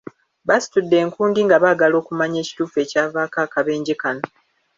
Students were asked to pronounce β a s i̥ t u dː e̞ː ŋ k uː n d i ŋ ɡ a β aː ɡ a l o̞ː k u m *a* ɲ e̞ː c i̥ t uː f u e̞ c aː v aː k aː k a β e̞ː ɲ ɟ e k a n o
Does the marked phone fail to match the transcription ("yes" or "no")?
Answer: no